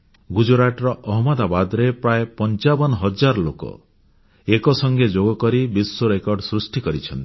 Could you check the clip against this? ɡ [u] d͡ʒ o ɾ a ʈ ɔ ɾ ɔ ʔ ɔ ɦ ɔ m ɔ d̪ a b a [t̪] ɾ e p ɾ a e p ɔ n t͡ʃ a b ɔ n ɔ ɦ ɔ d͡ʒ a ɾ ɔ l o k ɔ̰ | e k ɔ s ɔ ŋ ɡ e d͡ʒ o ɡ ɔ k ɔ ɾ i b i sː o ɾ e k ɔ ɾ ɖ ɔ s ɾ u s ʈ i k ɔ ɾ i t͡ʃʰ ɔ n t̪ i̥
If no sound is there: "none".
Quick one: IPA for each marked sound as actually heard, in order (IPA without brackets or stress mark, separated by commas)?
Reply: u, d̪